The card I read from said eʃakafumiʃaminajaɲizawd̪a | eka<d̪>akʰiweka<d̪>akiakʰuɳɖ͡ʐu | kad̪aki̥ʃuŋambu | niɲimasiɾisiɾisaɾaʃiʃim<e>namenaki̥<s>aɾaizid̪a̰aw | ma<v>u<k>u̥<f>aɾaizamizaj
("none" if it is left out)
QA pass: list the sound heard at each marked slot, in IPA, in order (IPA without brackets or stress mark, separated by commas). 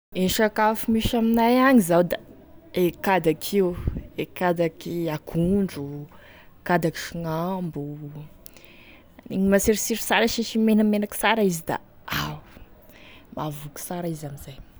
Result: d̪, d̪, e, s, v, k, s